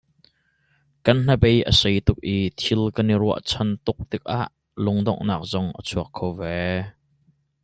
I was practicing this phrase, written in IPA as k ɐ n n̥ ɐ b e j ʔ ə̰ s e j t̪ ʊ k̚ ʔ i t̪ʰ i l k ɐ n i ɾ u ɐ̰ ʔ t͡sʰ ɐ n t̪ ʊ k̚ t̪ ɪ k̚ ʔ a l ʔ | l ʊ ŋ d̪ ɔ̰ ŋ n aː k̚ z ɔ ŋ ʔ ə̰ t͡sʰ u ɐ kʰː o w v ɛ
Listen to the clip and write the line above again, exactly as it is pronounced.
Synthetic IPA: k ɐ n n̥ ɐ b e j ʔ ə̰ s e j t̪ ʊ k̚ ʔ i t̪ʰ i l k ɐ n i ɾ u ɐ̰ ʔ t͡sʰ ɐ n t̪ ʊ k̚ t̪ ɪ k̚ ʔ a ʔ | l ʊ ŋ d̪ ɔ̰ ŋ n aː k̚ z ɔ ŋ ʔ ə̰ t͡sʰ u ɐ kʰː o w v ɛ